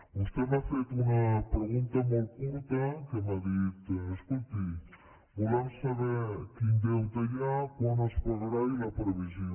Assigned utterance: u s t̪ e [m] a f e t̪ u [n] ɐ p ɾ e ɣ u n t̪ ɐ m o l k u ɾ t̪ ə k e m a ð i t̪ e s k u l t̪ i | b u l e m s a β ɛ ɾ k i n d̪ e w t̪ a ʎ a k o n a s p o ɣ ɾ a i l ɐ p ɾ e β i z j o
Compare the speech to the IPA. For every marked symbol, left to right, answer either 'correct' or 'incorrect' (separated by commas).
correct, correct